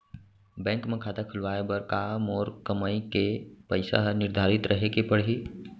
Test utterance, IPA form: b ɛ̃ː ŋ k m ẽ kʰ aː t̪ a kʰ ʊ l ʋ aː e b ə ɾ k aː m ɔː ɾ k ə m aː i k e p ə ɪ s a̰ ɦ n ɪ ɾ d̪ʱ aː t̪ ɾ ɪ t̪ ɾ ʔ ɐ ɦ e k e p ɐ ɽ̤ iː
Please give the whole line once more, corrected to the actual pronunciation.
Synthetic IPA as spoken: b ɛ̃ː ŋ k m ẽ kʰ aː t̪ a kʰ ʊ l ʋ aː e b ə ɾ k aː m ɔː ɾ k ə m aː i k e p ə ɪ s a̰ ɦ n ɪ ɾ d̪ʱ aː ɾ ɪ t̪ ɾ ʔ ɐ ɦ e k e p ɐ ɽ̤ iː